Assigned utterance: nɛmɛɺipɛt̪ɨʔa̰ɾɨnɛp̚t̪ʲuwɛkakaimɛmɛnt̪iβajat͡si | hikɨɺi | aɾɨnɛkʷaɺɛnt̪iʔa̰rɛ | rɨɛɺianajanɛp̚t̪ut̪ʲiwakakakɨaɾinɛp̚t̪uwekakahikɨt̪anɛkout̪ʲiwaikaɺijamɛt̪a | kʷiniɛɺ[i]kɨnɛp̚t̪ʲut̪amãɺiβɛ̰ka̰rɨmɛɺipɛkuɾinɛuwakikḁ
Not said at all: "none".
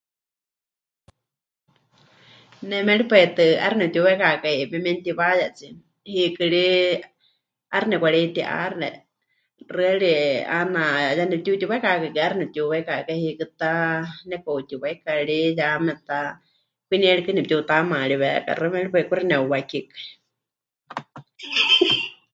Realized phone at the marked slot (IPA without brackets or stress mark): i